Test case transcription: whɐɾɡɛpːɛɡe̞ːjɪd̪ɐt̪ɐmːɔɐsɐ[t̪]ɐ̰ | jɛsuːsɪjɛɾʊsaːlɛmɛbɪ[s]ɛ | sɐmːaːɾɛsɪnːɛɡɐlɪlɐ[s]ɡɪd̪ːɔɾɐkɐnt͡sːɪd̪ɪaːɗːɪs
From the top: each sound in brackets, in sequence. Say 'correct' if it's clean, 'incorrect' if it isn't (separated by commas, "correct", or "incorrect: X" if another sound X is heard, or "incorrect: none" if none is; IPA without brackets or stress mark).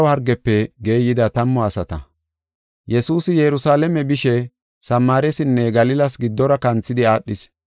correct, incorrect: ʃ, correct